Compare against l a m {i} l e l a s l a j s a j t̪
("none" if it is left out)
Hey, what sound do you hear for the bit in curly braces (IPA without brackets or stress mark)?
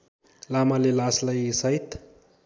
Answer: a